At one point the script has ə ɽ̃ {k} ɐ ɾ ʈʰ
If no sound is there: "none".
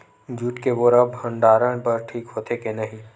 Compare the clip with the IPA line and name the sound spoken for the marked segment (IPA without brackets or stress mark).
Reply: p